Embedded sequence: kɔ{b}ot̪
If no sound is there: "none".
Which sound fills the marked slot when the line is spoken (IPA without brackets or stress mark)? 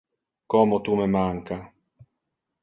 m